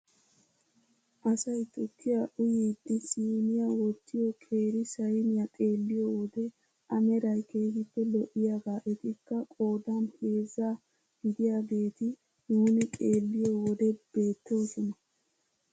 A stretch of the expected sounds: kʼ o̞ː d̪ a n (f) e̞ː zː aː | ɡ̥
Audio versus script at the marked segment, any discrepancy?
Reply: yes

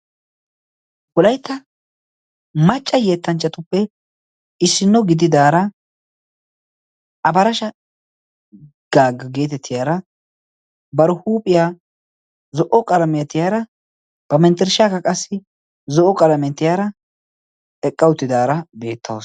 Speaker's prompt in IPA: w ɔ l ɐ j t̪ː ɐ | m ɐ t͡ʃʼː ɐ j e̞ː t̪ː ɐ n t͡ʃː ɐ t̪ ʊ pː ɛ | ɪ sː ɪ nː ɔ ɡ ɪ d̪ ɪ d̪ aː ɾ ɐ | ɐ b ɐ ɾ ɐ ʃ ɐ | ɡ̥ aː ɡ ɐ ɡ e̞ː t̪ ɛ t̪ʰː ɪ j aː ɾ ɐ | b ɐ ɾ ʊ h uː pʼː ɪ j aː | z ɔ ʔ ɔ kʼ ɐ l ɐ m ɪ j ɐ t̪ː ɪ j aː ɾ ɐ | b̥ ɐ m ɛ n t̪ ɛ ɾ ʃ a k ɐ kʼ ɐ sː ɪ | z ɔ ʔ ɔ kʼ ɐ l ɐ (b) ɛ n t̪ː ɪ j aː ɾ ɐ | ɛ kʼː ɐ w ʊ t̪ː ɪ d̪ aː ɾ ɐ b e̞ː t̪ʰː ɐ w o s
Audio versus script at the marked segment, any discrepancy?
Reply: yes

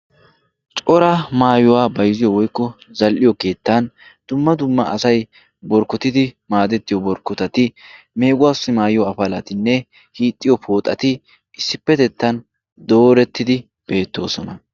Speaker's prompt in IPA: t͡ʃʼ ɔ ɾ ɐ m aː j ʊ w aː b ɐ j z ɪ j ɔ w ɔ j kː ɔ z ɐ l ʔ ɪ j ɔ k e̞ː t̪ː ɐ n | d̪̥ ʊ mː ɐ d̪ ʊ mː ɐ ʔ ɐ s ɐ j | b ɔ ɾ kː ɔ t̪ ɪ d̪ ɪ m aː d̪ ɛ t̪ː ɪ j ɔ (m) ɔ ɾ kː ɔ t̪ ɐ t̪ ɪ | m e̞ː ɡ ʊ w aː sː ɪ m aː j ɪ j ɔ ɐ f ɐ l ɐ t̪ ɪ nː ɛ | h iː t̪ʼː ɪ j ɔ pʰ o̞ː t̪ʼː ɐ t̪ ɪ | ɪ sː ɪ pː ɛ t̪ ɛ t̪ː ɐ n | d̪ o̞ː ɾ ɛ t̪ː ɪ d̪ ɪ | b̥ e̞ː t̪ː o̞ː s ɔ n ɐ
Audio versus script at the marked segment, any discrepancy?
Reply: yes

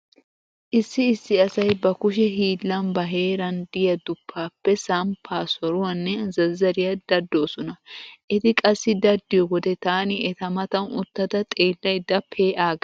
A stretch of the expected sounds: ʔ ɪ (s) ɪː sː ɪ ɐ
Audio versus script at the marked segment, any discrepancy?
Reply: yes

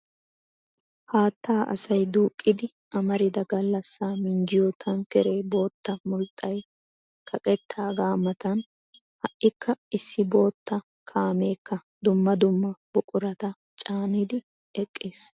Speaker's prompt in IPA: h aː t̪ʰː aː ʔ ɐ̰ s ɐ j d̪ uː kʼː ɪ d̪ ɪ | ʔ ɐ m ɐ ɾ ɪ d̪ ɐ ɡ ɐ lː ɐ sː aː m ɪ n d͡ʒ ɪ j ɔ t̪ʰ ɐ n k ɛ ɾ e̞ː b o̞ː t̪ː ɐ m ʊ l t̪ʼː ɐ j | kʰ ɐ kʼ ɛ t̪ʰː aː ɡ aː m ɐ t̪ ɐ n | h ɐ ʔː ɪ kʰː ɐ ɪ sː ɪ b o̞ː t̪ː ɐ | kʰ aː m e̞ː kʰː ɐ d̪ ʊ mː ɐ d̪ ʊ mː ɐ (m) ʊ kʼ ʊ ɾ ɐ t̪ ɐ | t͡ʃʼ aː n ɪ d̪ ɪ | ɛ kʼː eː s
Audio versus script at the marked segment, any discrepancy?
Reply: yes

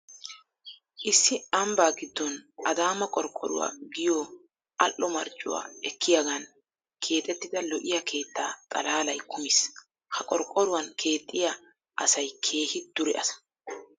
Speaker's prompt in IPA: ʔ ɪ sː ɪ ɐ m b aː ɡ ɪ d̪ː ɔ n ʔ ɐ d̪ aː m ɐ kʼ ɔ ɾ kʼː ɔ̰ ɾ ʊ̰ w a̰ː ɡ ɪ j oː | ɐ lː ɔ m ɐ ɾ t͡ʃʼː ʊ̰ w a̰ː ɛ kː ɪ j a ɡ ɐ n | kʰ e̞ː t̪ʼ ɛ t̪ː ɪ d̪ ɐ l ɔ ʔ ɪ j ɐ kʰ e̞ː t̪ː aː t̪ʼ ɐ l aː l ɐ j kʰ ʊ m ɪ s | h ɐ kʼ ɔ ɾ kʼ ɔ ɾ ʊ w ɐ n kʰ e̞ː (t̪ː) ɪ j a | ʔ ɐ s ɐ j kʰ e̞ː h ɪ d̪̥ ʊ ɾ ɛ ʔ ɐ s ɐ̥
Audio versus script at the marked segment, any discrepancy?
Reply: yes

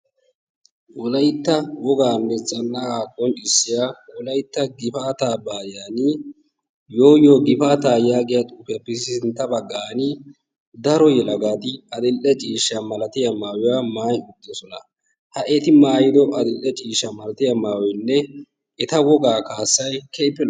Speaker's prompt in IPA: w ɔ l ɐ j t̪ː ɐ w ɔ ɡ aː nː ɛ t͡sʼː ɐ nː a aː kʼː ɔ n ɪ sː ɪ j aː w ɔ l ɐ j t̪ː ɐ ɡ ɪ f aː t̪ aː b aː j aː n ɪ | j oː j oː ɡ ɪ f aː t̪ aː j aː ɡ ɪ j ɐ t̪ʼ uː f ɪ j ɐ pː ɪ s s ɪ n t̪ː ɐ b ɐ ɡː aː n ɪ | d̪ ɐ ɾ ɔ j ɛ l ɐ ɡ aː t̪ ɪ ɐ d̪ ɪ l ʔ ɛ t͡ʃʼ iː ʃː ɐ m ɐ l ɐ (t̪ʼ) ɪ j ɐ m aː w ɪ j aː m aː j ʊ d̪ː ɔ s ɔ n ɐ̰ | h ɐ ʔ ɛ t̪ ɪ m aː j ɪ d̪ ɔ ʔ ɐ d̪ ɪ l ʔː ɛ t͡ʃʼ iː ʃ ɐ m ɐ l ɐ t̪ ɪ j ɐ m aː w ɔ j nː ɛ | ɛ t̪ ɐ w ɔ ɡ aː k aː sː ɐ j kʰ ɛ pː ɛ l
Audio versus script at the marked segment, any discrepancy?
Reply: yes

